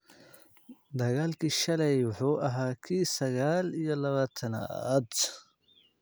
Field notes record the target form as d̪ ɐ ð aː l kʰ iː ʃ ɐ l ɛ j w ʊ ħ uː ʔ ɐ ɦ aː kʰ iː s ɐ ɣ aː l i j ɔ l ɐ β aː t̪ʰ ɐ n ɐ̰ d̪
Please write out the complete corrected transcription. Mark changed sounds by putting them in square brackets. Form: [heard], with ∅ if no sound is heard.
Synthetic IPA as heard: d̪ ɐ [ɣ] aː l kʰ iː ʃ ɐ l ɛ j w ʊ ħ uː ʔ ɐ ɦ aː kʰ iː s ɐ ɣ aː l i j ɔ l ɐ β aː t̪ʰ ɐ n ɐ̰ d̪

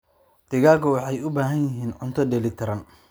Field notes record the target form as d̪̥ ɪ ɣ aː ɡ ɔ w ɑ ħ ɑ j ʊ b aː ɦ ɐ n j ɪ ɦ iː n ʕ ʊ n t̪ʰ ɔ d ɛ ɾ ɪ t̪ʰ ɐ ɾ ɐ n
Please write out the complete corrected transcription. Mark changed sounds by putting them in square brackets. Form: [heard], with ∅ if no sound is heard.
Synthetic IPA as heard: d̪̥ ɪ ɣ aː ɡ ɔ w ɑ ħ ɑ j ʊ b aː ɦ ɐ n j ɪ ɦ iː n ʕ ʊ n t̪ʰ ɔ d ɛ [l] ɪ t̪ʰ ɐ ɾ ɐ n

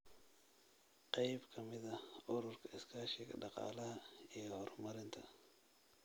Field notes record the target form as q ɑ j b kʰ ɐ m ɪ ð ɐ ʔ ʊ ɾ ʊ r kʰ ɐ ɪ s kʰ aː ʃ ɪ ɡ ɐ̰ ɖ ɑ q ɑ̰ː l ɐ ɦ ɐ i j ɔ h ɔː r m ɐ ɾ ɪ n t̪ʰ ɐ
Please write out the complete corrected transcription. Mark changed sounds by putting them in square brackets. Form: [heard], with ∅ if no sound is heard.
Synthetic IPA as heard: q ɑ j b kʰ ɐ m ɪ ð ɐ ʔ ʊ ɾ ʊ r kʰ ɐ ɪ s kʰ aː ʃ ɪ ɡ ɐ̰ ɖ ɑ q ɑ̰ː l ɐ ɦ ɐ i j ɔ h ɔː r m ɐ ɾ ɪ n t̪ʰ ɐ

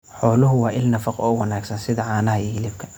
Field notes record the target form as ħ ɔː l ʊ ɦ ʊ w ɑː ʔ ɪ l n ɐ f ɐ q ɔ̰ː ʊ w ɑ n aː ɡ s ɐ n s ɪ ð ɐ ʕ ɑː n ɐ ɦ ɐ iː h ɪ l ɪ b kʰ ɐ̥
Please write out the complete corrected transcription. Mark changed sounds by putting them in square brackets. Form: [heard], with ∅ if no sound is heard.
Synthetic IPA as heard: ħ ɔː l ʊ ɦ ʊ w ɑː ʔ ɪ l n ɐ f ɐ q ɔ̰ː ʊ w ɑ n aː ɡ s ɐ n s ɪ ð ɐ ʕ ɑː n ɐ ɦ ɐ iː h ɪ l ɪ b kʰ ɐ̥

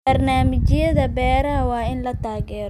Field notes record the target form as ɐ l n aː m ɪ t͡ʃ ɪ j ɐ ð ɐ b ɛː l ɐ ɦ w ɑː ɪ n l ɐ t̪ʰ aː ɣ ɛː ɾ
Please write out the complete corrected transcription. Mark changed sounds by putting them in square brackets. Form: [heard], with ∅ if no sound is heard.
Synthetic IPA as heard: ɐ [r] n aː m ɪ t͡ʃ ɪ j ɐ ð ɐ b ɛː [ɾ] ɐ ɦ w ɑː ɪ n l ɐ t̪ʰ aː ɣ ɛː ɾ

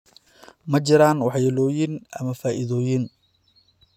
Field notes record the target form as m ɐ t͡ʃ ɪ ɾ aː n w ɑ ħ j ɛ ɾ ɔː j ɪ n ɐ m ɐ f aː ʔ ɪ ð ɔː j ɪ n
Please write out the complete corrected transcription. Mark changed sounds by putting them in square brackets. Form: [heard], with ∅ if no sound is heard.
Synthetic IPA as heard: m ɐ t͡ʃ ɪ ɾ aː n w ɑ ħ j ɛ [l] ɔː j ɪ n ɐ m ɐ f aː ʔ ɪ ð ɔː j ɪ n

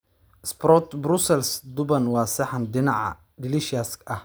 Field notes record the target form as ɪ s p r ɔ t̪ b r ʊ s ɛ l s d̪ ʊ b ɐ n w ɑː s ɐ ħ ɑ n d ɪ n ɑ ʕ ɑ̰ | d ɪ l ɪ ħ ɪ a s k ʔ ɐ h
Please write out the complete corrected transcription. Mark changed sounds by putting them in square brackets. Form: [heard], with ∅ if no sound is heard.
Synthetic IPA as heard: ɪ s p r ɔ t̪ b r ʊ s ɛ l s d̪ ʊ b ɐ n w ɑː s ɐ ħ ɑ n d ɪ n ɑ ʕ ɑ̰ | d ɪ l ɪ [ʃ] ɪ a s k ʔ ɐ h

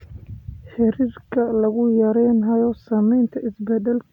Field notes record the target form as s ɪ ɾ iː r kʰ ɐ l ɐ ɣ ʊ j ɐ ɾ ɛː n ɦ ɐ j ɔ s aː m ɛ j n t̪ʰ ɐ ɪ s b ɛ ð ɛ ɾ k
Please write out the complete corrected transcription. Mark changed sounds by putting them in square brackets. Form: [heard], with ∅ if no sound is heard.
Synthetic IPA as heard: [ħ] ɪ ɾ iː r kʰ ɐ l ɐ ɣ ʊ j ɐ ɾ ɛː n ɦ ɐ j ɔ s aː m ɛ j n t̪ʰ ɐ ɪ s b ɛ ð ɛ [l] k

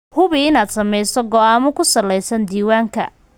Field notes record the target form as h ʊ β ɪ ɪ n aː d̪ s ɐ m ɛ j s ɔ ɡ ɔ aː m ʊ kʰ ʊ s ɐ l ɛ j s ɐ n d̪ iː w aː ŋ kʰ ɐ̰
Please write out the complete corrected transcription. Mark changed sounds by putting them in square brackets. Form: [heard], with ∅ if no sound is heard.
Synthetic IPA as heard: h ʊ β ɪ ɪ n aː d̪ s ɐ m ɛ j s ɔ ɡ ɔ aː m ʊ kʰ ʊ s ɐ l ɛ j s ɐ n d̪ iː w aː ŋ kʰ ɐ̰

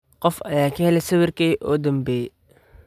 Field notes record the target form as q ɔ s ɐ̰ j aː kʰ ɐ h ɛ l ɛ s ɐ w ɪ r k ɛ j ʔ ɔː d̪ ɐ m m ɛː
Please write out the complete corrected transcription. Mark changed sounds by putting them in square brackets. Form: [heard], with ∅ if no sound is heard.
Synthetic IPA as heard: q ɔ [f] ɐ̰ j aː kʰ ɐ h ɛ l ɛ s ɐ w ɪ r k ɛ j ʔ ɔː d̪ ɐ m [b] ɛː

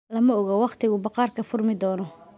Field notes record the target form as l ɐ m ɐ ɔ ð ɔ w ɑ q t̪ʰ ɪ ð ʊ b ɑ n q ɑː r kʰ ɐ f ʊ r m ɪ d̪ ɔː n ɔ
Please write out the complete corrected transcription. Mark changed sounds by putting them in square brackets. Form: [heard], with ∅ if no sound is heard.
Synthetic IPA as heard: l ɐ m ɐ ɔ [ɣ] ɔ w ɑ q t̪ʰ ɪ [ɣ] ʊ b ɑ [∅] q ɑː r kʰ ɐ f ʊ r m ɪ d̪ ɔː n ɔ

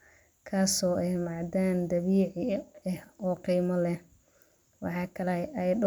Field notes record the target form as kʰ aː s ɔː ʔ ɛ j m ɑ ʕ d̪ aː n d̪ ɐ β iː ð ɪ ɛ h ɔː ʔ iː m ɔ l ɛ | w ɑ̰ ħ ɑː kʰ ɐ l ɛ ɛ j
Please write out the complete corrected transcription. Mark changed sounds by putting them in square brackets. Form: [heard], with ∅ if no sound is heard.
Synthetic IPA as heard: kʰ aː s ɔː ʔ ɛ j m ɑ ʕ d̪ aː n d̪ ɐ β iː [ʕ] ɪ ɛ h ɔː [q] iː m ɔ l ɛ | w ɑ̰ ħ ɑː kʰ ɐ l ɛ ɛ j

